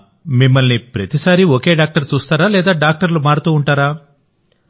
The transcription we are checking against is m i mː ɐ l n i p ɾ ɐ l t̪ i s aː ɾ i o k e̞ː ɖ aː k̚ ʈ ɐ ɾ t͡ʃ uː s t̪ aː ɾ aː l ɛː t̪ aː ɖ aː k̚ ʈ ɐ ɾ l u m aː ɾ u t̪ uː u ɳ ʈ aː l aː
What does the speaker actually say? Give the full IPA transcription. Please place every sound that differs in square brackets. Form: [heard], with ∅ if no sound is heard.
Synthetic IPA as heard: m i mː ɐ l n i p ɾ ɐ [∅] t̪ i s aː ɾ i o k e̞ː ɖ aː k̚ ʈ ɐ ɾ t͡ʃ uː s t̪ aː ɾ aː l ɛː [d̪] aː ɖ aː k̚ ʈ ɐ ɾ l u m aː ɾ u t̪ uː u ɳ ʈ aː [ɾ] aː